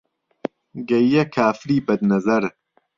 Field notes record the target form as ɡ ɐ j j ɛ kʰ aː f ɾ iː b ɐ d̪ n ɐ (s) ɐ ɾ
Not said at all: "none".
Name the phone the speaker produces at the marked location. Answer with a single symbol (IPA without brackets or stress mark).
z